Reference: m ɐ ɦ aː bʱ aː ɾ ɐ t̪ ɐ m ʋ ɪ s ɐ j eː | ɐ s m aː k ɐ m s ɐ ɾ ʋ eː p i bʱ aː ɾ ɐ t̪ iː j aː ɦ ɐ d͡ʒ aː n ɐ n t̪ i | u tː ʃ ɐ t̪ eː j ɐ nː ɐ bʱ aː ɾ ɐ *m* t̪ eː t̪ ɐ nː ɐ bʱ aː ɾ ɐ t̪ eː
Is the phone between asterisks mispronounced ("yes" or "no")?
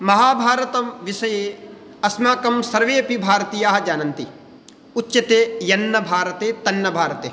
yes